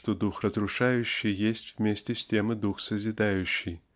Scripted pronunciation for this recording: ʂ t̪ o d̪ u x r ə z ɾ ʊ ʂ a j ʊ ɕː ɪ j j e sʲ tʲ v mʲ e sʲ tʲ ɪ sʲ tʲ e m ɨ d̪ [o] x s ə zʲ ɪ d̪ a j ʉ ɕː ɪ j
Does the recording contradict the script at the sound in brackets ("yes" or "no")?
yes